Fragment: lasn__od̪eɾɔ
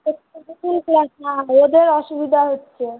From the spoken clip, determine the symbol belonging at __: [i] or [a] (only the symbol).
a